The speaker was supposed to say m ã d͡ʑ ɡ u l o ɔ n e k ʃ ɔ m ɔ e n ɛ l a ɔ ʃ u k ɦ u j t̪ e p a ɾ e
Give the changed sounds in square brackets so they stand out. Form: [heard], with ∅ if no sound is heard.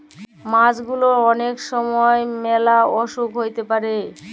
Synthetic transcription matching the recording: m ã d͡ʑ ɡ u l o ɔ n e k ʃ ɔ m ɔ e [m] ɛ l a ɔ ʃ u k ɦ [o] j t̪ e p a ɾ e